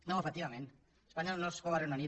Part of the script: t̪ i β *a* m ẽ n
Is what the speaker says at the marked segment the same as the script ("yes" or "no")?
yes